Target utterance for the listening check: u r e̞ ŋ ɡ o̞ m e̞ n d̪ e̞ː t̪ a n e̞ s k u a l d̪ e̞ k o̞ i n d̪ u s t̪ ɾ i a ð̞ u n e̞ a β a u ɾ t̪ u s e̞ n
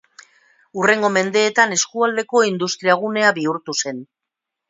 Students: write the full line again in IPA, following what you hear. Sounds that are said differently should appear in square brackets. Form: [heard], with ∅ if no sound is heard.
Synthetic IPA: u r e̞ ŋ ɡ o̞ m e̞ n d̪ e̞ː t̪ a n e̞ s k u a l d̪ e̞ k o̞ i n d̪ u s t̪ ɾ i a [ɣ̞] u n e̞ a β [i] u ɾ t̪ u s e̞ n